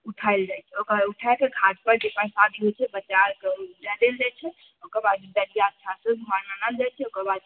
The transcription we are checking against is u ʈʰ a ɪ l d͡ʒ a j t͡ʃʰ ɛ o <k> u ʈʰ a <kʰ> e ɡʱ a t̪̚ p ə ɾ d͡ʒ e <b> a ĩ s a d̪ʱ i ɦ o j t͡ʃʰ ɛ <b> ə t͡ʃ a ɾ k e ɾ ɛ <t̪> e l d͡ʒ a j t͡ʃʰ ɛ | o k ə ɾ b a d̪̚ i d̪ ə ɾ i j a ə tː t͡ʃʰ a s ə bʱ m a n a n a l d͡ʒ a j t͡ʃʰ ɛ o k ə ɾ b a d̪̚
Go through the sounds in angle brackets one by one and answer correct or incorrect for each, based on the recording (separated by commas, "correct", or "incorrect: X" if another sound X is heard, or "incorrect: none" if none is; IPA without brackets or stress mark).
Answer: correct, incorrect: k, incorrect: p, correct, incorrect: d̪